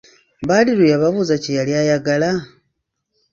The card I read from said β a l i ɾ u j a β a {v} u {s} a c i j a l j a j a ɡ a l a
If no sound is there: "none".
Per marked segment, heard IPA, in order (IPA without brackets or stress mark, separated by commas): β, z